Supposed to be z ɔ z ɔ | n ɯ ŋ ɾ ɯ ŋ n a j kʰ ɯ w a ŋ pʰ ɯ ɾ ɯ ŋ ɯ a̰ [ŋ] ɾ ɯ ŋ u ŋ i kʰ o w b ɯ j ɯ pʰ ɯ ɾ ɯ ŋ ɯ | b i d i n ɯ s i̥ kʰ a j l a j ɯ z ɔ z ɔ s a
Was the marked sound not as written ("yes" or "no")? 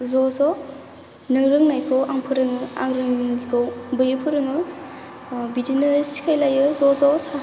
no